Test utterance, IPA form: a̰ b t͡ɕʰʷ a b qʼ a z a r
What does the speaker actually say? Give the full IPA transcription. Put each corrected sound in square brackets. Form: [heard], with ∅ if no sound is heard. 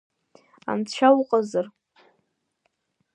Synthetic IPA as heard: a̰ [m] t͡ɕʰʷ a [w] qʼ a z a r